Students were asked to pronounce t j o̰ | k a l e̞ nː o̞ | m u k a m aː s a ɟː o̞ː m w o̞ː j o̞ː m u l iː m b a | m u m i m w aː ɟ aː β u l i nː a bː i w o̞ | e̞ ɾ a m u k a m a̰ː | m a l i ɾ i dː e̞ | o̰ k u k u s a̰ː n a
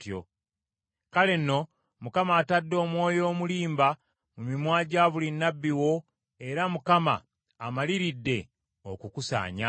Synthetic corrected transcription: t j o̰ | k a l e̞ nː o̞ | m u k a m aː t a dː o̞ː m w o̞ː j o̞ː m u l iː m b a | m u m i m w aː ɟ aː β u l i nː a bː i w o̞ | e̞ ɾ a m u k a m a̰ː | m a l i ɾ i dː e̞ | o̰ k u k u s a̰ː ɲ a